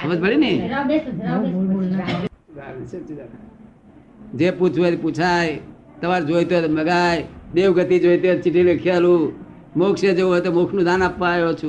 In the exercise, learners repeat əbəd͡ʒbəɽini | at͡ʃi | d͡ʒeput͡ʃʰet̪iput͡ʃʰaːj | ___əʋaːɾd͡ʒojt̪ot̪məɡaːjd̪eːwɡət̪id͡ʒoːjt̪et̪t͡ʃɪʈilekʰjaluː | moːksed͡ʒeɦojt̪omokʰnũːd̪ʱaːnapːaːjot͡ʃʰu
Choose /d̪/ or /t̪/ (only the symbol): t̪